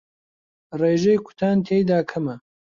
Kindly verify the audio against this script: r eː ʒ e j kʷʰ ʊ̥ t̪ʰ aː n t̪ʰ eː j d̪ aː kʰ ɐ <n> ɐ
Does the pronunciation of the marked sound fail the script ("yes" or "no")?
yes